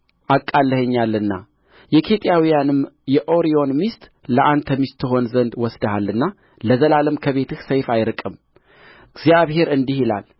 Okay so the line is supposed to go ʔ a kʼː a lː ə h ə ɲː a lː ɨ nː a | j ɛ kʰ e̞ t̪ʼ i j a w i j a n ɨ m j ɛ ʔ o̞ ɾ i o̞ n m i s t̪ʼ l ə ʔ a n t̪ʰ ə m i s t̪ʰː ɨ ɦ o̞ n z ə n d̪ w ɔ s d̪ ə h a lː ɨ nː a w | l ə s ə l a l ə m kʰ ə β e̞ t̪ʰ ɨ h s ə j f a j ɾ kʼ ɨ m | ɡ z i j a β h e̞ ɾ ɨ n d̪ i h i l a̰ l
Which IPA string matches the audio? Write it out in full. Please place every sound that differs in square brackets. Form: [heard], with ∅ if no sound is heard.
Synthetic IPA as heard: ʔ a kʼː a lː ə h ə ɲː a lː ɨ nː a | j ɛ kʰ e̞ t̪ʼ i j a w i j a n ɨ m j ɛ ʔ o̞ ɾ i o̞ n m i s t̪ʼ l ə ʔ a n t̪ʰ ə m i s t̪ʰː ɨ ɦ o̞ n z ə n d̪ w ɔ s d̪ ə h a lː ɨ nː a [∅] | l ə [z] ə l a l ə m kʰ ə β e̞ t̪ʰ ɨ h s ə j f a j ɾ kʼ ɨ m | ɡ z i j a β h e̞ ɾ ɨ n d̪ i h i l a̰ l